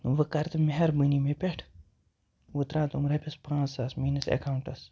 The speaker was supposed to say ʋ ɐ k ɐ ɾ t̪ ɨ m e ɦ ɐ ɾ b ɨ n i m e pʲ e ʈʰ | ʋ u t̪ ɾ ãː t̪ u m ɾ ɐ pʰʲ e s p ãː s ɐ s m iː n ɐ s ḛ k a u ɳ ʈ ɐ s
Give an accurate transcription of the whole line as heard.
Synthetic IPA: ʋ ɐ k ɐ ɾ t̪ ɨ m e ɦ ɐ ɾ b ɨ n i m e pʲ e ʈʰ | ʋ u t̪ ɾ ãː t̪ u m ɾ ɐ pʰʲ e s p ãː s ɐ s m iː n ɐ s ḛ k a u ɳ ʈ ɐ s